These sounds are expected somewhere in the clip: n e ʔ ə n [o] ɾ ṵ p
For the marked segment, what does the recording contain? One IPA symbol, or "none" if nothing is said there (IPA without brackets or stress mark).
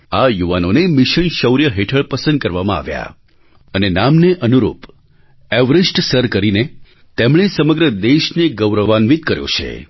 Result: u